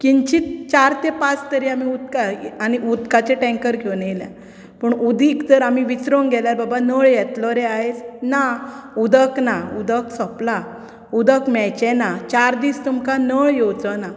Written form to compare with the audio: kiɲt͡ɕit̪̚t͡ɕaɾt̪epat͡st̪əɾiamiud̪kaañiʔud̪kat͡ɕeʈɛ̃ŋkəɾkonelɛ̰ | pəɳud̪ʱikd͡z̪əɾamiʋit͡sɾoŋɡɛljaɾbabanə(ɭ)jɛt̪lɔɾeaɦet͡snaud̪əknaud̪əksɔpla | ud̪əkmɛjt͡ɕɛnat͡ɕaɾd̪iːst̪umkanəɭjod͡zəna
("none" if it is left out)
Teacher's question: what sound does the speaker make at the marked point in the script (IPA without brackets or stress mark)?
ɭ